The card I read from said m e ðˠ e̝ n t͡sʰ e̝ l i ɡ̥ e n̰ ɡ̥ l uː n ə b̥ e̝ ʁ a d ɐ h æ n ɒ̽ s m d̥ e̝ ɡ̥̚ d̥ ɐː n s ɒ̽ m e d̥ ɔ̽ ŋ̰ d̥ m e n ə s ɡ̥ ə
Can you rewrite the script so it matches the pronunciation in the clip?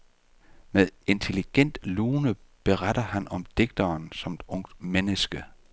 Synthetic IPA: m e ðˠ e̝ n t͡sʰ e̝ l i ɡ̥ e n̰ d̥ l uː n ə b̥ e̝ ʁ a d ɐ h æ n ɒ̽ m d̥ e̝ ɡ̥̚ d̥ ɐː n s ɒ̽ m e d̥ ɔ̽ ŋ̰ d̥ m e n ə s ɡ̥ ə